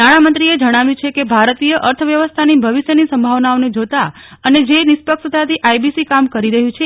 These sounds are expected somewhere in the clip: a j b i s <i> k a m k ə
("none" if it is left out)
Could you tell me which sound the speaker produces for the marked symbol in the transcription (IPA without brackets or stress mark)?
i